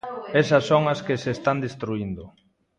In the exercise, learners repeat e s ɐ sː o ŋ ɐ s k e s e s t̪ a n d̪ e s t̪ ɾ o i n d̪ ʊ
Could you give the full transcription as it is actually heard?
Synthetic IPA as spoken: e s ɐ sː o ŋ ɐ s k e s e s t̪ a n d̪ e s t̪ ɾ u i n d̪ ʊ